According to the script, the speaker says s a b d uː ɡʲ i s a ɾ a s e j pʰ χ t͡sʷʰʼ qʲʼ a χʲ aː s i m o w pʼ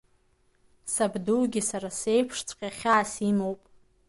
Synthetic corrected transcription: s a b d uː ɡʲ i s a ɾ a s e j pʰ ʂ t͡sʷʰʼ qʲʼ a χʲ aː s i m o w pʼ

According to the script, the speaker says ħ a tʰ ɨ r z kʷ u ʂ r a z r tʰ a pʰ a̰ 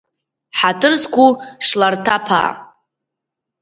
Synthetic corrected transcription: ħ a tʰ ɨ r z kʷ u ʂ l a r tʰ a pʰ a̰

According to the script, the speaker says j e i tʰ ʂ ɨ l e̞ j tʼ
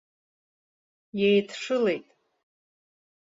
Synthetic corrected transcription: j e j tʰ ʂ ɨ l e̞ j tʼ

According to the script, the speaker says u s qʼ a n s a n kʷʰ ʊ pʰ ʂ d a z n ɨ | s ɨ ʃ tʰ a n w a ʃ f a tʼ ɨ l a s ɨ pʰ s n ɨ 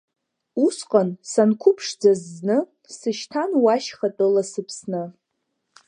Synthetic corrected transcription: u s qʼ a n s a n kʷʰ ʊ pʰ ʂ d͡z a z n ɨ | s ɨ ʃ tʰ a n w a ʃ χ a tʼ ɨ l a s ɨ pʰ s n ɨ

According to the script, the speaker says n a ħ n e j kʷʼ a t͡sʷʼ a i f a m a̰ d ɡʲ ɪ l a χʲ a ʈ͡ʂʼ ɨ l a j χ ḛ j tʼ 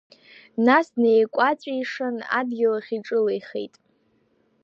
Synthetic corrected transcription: n a s n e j kʷʼ a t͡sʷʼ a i ʂ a n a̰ d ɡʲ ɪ l a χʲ i ʈ͡ʂʼ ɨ l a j χ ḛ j tʼ

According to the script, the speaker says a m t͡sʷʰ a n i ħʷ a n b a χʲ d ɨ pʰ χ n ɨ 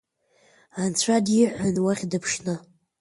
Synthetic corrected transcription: a n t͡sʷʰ a d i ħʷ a n w a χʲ d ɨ pʰ ʂ n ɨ

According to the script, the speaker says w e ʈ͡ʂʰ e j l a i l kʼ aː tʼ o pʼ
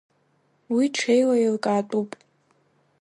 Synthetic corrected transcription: w i ʈ͡ʂʰ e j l a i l kʼ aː tʼ u pʼ

